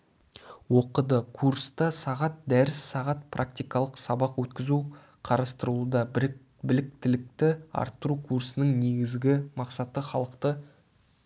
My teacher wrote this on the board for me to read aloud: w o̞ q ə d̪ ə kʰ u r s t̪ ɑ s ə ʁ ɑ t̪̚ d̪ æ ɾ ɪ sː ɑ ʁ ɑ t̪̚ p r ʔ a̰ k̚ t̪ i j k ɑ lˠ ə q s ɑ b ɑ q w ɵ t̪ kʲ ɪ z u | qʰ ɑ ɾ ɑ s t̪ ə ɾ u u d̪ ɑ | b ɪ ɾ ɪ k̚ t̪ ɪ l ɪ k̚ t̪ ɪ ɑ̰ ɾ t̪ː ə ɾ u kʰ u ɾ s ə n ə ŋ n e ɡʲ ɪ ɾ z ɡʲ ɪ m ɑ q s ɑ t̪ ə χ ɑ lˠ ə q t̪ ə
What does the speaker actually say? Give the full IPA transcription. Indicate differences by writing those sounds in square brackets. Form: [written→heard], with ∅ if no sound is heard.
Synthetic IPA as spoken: w o̞ q ə d̪ ə kʰ u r s t̪ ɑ s [ə→ɑ] ʁ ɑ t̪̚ d̪ æ ɾ ɪ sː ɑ ʁ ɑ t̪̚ p r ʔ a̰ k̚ t̪ i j k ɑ lˠ ə q s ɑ b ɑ q w ɵ t̪ kʲ ɪ z u | qʰ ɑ ɾ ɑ s t̪ ə ɾ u u d̪ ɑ | b ɪ [ɾ→l] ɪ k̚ t̪ ɪ l ɪ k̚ t̪ ɪ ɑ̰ ɾ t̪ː ə ɾ u kʰ u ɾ s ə n ə ŋ n e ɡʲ ɪ [ɾ→∅] z ɡʲ ɪ m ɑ q s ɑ t̪ ə χ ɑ lˠ ə q t̪ ə